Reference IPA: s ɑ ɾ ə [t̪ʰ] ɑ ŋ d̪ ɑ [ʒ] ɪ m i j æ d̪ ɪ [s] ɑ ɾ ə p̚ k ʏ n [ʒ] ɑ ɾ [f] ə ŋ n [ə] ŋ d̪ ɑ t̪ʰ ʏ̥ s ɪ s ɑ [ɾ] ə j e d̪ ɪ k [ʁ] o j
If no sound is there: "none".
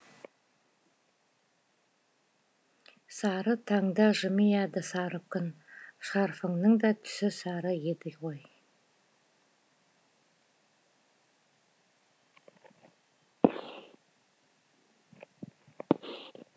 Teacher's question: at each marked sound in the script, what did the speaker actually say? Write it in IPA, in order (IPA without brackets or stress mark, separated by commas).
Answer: t̪ʰ, ʒ, s, ʃ, f, ə, ɾ, ʁ